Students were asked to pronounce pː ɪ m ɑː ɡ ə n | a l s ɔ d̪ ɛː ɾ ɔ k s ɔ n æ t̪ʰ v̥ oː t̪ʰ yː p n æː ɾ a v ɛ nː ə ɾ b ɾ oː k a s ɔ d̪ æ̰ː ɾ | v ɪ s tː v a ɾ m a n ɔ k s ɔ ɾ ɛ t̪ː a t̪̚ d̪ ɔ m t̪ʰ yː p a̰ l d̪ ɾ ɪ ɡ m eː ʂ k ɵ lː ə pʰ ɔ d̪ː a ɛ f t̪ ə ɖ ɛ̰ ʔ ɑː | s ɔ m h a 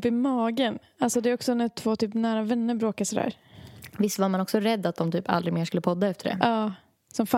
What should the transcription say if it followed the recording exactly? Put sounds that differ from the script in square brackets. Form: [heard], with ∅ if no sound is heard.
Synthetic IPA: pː ɪ m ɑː ɡ ə n | a l s ɔ d̪ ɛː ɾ ɔ k s ɔ n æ t̪ʰ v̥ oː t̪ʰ yː p n æː ɾ a v ɛ nː ə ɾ b ɾ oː k a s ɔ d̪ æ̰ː ɾ | v ɪ s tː v a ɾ m a n ɔ k s ɔ ɾ ɛ [d̪ː] a t̪̚ d̪ ɔ m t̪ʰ yː p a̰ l d̪ ɾ ɪ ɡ m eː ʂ k ɵ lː ə pʰ ɔ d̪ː a ɛ f t̪ ə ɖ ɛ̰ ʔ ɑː | s ɔ m [f] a